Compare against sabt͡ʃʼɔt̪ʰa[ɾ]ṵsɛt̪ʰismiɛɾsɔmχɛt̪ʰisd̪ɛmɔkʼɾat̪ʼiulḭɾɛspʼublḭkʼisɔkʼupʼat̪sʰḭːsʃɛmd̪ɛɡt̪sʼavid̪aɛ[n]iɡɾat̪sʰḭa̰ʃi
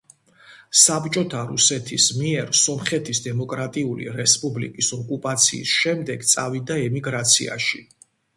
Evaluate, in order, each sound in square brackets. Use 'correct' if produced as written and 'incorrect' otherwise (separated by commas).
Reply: correct, incorrect